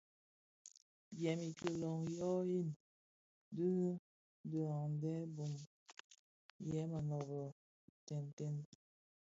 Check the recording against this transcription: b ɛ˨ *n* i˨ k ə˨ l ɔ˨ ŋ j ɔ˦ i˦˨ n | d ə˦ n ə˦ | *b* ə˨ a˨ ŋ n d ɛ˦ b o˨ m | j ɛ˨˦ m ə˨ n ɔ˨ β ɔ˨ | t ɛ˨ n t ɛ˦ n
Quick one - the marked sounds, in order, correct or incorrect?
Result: incorrect, incorrect

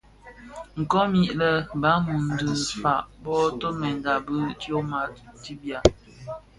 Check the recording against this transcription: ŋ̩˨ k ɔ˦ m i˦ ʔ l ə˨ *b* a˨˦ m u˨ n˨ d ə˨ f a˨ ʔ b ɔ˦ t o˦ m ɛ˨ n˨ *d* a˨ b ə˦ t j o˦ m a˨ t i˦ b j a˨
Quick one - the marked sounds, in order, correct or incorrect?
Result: correct, correct

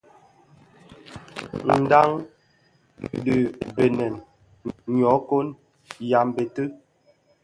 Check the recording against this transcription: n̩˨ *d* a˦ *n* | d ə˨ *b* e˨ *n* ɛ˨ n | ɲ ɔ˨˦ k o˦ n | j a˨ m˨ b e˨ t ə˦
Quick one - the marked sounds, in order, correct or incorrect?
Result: correct, incorrect, correct, correct

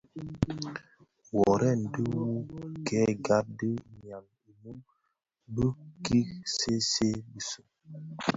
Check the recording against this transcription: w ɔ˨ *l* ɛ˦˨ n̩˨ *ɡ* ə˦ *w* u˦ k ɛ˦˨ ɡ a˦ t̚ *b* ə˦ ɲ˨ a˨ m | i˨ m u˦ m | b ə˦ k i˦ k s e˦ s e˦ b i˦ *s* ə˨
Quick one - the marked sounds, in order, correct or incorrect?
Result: incorrect, incorrect, correct, incorrect, correct

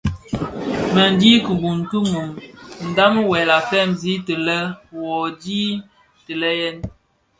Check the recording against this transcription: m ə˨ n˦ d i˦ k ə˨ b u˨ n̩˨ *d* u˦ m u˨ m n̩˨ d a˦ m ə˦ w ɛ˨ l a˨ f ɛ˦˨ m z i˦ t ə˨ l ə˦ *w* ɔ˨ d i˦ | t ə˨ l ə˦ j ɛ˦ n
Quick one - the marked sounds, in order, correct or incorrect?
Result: incorrect, correct

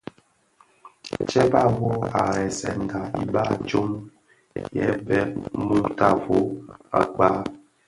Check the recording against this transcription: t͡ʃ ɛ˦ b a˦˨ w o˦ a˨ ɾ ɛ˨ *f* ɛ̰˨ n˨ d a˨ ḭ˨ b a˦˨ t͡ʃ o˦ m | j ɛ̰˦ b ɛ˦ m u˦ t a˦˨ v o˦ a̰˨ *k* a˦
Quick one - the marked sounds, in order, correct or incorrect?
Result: incorrect, incorrect

